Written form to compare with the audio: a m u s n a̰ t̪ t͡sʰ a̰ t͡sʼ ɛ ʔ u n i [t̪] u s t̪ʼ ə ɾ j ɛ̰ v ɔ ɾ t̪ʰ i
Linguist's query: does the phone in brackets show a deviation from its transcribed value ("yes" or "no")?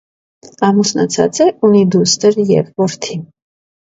yes